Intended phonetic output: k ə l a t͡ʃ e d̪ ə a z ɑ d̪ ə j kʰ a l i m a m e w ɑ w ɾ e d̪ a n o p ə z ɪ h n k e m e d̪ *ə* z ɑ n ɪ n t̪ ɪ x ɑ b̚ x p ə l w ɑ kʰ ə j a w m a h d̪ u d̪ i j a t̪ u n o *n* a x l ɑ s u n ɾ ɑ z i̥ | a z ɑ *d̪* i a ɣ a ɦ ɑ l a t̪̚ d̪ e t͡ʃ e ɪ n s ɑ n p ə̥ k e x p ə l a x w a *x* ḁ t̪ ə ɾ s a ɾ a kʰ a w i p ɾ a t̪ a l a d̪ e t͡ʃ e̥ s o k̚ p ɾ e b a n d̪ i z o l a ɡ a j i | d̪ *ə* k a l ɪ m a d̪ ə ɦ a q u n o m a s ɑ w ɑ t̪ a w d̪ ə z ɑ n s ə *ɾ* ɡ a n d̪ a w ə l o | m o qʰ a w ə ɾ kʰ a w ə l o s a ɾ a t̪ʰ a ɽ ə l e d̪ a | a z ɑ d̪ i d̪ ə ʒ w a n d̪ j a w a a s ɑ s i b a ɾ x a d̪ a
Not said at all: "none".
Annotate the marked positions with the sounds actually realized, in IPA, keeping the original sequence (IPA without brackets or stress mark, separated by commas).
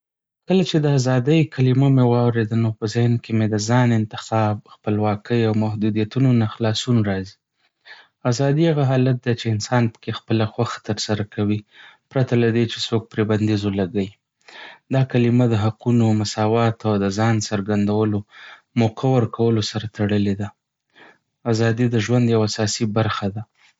ə, n, d̪, x, ɑ, ɾ